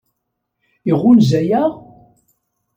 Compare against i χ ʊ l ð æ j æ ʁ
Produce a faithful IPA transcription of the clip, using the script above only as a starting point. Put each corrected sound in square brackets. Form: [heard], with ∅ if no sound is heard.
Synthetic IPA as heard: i [ʁ] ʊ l [z] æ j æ ʁ